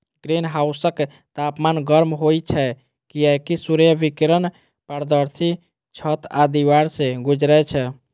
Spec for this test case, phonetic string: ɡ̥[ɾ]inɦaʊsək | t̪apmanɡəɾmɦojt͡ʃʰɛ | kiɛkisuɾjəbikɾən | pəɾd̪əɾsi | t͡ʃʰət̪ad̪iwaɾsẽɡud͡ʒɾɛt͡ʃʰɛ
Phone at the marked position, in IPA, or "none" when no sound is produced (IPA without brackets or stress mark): ɾ